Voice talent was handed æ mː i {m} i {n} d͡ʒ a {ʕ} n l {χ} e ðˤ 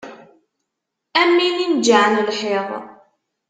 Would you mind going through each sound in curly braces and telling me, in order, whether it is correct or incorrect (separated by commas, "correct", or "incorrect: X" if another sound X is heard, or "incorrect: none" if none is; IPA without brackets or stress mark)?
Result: incorrect: n, correct, correct, incorrect: ħ